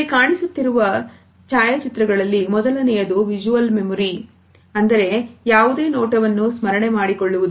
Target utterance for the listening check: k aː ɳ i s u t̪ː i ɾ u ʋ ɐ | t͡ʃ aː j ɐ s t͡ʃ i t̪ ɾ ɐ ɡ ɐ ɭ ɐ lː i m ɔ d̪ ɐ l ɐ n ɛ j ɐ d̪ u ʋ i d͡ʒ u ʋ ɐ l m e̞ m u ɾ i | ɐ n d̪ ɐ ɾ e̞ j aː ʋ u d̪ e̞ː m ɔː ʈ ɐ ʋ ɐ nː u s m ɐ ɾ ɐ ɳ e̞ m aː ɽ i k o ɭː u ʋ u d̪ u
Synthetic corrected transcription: k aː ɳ i s u t̪ː i ɾ u ʋ ɐ | t͡ʃ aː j ɐ t͡ʃ i t̪ ɾ ɐ ɡ ɐ ɭ ɐ lː i m ɔ d̪ ɐ l ɐ n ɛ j ɐ d̪ u ʋ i d͡ʒ u ʋ ɐ l m e̞ m u ɾ i | ɐ n d̪ ɐ ɾ e̞ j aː ʋ u d̪ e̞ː n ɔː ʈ ɐ ʋ ɐ nː u s m ɐ ɾ ɐ ɳ e̞ m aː ɽ i k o ɭː u ʋ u d̪ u